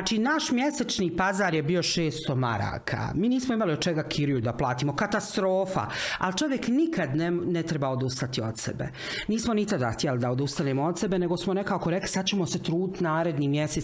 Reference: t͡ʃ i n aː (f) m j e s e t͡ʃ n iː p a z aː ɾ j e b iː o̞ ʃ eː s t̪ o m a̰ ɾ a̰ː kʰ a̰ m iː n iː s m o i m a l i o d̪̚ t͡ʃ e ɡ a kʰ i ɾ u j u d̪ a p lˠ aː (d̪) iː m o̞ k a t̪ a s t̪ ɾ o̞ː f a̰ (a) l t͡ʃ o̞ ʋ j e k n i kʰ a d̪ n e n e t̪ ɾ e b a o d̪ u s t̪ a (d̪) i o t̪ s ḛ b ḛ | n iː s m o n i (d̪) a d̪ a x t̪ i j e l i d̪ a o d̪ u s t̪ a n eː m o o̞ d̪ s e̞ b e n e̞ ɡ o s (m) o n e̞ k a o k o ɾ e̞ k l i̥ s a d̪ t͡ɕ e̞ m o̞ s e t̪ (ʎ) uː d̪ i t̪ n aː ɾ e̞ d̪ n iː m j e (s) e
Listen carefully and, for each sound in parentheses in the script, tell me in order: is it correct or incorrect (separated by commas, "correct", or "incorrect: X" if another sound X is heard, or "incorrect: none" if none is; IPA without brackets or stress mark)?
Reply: incorrect: ʃ, incorrect: t̪, correct, incorrect: t̪, incorrect: t̪, correct, incorrect: ɾ, correct